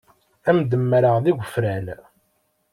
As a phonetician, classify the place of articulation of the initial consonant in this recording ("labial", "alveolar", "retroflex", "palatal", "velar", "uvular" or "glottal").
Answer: labial